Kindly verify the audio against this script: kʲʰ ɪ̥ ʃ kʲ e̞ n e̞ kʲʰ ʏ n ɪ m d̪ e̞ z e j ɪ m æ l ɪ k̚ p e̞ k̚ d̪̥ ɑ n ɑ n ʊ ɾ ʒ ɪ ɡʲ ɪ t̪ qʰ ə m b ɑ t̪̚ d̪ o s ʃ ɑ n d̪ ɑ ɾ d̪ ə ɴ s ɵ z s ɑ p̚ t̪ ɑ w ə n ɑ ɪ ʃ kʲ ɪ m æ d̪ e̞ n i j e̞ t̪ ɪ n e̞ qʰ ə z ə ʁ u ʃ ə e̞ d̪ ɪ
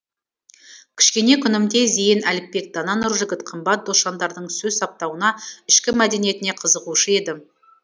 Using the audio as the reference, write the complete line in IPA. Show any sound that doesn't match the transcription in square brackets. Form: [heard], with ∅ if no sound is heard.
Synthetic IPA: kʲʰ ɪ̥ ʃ kʲ e̞ n e̞ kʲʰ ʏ n ɪ m d̪ e̞ z e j ɪ [n] æ l ɪ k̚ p e̞ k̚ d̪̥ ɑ n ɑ n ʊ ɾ ʒ ɪ ɡʲ ɪ t̪ qʰ ə m b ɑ t̪̚ d̪ o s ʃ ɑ n d̪ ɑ ɾ d̪ ə ɴ s ɵ z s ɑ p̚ t̪ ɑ w ə n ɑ ɪ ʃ kʲ ɪ m æ d̪ e̞ n i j e̞ t̪ ɪ n e̞ qʰ ə z ə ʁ u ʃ ə e̞ d̪ ɪ

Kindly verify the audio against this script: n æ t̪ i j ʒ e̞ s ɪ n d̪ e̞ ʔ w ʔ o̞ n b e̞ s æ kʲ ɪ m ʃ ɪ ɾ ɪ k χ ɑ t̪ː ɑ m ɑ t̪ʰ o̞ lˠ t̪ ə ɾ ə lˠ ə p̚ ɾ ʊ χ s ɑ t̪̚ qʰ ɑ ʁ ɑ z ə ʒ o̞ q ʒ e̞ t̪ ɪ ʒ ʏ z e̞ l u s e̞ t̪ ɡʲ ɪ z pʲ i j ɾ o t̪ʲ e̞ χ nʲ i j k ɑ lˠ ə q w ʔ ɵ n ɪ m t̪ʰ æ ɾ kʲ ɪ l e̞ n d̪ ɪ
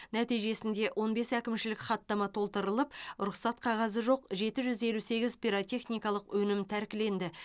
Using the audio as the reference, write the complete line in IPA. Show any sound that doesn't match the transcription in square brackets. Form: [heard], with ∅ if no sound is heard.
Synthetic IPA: n æ t̪ i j ʒ e̞ s ɪ n d̪ e̞ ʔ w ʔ o̞ n b e̞ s æ kʲ ɪ m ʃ ɪ [l] ɪ k χ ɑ t̪ː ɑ m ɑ t̪ʰ o̞ lˠ t̪ ə ɾ ə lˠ ə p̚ ɾ ʊ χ s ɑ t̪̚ qʰ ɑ ʁ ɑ z ə ʒ o̞ q ʒ e̞ t̪ ɪ ʒ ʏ z e̞ l u s e̞ [∅] ɡʲ ɪ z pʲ i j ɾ o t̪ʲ e̞ χ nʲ i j k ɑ lˠ ə q w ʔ ɵ n ɪ m t̪ʰ æ ɾ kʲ ɪ l e̞ n d̪ ɪ

